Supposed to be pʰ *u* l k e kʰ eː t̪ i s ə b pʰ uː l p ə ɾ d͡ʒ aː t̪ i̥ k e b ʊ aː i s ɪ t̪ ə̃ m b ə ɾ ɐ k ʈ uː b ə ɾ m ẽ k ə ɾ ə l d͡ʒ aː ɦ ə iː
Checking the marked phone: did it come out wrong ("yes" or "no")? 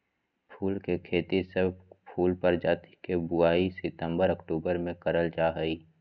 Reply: yes